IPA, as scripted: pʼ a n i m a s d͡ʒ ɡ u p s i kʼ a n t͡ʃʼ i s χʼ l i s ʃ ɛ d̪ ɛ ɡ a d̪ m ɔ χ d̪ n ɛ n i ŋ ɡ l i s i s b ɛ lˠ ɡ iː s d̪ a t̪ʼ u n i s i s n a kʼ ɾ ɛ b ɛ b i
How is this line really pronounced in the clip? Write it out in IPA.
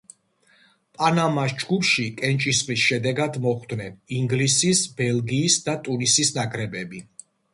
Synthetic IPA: pʼ a n a m a s d͡ʒ ɡ u p ʃ i kʼ ɛ n t͡ʃʼ i s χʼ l i s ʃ ɛ d̪ ɛ ɡ a d̪ m ɔ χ d̪ n ɛ n i ŋ ɡ l i s i s b ɛ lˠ ɡ iː s d̪ a t̪ʼ u n i s i s n a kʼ ɾ ɛ b ɛ b i